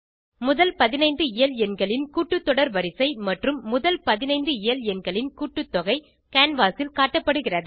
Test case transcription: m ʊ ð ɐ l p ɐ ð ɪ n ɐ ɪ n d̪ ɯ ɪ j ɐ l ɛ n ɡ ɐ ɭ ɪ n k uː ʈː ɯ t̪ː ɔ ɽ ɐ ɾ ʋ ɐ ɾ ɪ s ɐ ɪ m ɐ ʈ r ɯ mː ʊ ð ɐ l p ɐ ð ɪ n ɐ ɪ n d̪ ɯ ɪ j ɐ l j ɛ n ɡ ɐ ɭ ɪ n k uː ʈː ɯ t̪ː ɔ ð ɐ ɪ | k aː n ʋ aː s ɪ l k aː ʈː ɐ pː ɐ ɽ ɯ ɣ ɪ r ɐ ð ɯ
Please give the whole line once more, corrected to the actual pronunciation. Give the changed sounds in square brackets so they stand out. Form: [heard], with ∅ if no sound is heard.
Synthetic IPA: m ʊ ð ɐ l p ɐ ð ɪ n ɐ ɪ n d̪ ɯ ɪ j ɐ l ɛ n ɡ ɐ ɭ ɪ n k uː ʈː ɯ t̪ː ɔ ɽ ɐ ɾ ʋ ɐ ɾ ɪ s ɐ ɪ m ɐ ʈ r ɯ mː ʊ ð ɐ l p ɐ ð ɪ n ɐ ɪ n d̪ ɯ ɪ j ɐ l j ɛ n ɡ ɐ ɭ ɪ n k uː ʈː ɯ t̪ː ɔ [ɣ] ɐ ɪ | k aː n ʋ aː s ɪ l k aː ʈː ɐ pː ɐ ɽ ɯ ɣ ɪ r ɐ ð ɯ